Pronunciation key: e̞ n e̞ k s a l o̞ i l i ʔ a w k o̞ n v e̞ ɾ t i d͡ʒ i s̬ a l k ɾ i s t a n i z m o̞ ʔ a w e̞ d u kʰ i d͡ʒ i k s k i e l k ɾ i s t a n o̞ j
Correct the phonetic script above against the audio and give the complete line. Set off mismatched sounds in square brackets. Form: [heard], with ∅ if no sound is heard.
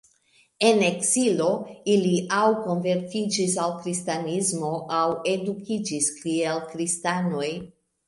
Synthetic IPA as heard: e̞ n e̞ k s [i] l o̞ i l i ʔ a w k o̞ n v e̞ ɾ t i d͡ʒ i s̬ a l k ɾ i s t a n i z m o̞ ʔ a w e̞ d u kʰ i d͡ʒ i [∅] s k i e l k ɾ i s t a n o̞ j

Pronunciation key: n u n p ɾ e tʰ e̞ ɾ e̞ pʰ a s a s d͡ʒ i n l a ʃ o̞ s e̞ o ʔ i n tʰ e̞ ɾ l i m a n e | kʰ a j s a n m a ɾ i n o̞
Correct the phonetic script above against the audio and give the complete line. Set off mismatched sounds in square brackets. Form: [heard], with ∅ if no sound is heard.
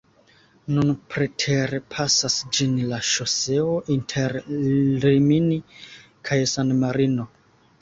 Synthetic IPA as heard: n u n p ɾ e tʰ e̞ ɾ e̞ pʰ a s a s d͡ʒ i n l a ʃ o̞ s e̞ o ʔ i n tʰ e̞ ɾ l i m [i] n [i] | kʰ a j s a n m a ɾ i n o̞

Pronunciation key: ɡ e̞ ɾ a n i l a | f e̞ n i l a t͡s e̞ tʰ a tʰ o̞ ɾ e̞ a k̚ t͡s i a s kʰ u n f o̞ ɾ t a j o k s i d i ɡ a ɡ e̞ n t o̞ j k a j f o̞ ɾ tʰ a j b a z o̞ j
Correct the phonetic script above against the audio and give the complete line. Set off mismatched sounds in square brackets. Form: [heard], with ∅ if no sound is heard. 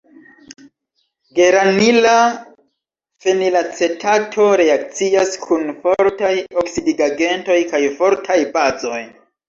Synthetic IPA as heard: ɡ e̞ ɾ a n i l a | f e̞ n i l a t͡s e̞ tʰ a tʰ o̞ ɾ e̞ a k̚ t͡s i a s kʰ u n f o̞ ɾ t a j o k s i d i ɡ a ɡ e̞ n t o̞ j k a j f o̞ ɾ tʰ a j b a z o̞ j

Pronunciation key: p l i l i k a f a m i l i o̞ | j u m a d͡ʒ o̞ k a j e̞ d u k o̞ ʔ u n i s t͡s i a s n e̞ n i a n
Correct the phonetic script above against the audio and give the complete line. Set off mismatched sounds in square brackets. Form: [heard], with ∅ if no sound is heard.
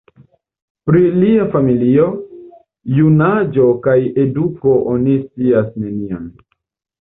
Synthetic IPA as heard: p [ɾ] i l i [∅] a f a m i l i o̞ | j u [n] a d͡ʒ o̞ k a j e̞ d u k o̞ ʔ [o] n i s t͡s i a s n e̞ n i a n

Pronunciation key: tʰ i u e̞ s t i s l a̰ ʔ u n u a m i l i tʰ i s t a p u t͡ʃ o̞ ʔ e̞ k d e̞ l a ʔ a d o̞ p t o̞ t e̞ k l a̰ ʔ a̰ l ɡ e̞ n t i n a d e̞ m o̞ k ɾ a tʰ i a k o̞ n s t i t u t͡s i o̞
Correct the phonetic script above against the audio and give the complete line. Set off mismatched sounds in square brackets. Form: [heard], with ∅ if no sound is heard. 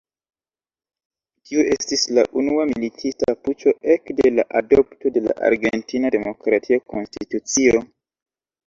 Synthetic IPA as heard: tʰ i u e̞ s t i s l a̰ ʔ u n u a m i l i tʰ i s t a p u t͡ʃ o̞ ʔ e̞ k d e̞ l a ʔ a d o̞ p t o̞ [d] e̞ [∅] l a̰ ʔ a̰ [ɾ] ɡ e̞ n t i n a d e̞ m o̞ k ɾ a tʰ i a k o̞ n s t i t u t͡s i o̞

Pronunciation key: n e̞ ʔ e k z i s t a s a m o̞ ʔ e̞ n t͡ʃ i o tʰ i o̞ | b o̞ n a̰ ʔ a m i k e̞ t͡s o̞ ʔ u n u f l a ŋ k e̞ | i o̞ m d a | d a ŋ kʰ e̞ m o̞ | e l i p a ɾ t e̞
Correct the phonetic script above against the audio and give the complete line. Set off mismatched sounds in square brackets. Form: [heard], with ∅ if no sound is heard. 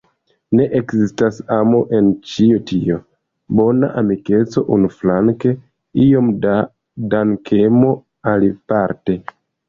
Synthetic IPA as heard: n e̞ ʔ e k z i s t a s a m o̞ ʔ e̞ n t͡ʃ i o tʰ i o̞ | b o̞ n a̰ ʔ a m i k e̞ t͡s o̞ ʔ u n u f l a ŋ k e̞ | i o̞ m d a | d a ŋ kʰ e̞ m o̞ | [a] l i p a ɾ t e̞

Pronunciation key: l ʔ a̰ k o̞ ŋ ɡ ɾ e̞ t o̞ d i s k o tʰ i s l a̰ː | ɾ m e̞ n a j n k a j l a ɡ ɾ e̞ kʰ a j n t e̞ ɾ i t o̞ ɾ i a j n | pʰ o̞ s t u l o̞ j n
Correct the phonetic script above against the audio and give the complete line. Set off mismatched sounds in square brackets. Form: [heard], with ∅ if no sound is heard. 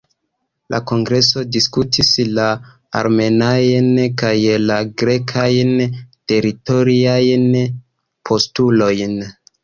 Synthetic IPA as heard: l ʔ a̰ k o̞ ŋ ɡ ɾ e̞ [s] o̞ d i s k [u] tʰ i s l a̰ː | ɾ m e̞ n a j n k a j l a ɡ ɾ e̞ kʰ a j n t e̞ ɾ i t o̞ ɾ i a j n | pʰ o̞ s t u l o̞ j n

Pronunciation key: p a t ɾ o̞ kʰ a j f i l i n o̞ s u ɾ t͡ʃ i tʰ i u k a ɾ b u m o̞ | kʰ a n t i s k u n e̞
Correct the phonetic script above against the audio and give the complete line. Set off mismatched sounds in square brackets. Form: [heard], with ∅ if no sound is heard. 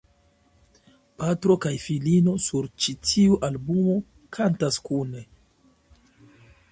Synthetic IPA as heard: p a t ɾ o̞ [k] a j f i l i n o̞ s u ɾ t͡ʃ i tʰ i u [ʔ] a [l] b u m o̞ | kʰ a n t [a] s k u n e̞

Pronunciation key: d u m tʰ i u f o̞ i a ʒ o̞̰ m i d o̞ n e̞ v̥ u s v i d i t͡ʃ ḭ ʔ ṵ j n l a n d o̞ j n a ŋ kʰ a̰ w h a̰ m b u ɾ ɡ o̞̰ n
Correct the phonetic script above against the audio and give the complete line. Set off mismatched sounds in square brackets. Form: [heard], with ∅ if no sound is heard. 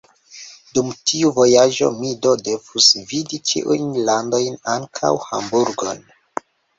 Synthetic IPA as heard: d u m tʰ i u [v] o̞ [j] a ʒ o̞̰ m i d o̞ [d] e̞ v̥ u s v i d i t͡ʃ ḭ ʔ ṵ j n l a n d o̞ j n a ŋ kʰ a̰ w h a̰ m b u ɾ ɡ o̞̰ n

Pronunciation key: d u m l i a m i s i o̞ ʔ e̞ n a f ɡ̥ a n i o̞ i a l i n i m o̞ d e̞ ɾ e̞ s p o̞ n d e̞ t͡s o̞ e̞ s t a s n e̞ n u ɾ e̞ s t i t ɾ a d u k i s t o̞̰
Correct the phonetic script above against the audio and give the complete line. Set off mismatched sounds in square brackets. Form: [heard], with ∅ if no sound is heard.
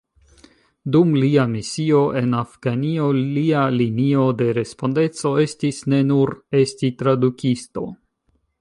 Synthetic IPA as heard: d u m l i a m i s i o̞ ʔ e̞ n a f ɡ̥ a n i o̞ i a l i n i [∅] o̞ d e̞ ɾ e̞ s p o̞ n d e̞ t͡s o̞ e̞ s t [i] s n e̞ n u ɾ e̞ s t i t ɾ a d u k i s t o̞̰

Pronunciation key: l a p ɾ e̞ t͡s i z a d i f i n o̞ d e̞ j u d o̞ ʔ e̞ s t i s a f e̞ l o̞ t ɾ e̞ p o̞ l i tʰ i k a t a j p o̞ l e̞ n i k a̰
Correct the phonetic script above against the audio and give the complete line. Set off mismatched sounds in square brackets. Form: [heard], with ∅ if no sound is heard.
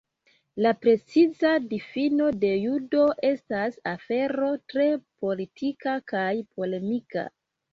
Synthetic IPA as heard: l a p ɾ e̞ t͡s i z a d i f i n o̞ d e̞ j u d o̞ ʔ e̞ s t [a] s a f e̞ [ɾ] o̞ t ɾ e̞ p o̞ l i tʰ i k a [k] a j p o̞ l e̞ [m] i k a̰

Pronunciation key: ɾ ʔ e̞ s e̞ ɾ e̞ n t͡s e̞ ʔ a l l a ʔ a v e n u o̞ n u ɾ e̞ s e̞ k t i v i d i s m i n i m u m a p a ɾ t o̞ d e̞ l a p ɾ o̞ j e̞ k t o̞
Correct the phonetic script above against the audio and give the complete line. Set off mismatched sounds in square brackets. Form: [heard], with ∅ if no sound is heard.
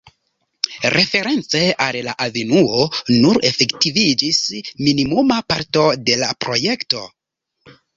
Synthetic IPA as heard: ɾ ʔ e̞ [f] e̞ ɾ e̞ n t͡s e̞ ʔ a l l a ʔ a v e n u o̞ n u ɾ e̞ [f] e̞ k t i v i [d͡ʒ] i s m i n i m u m a p a ɾ t o̞ d e̞ l a p ɾ o̞ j e̞ k t o̞

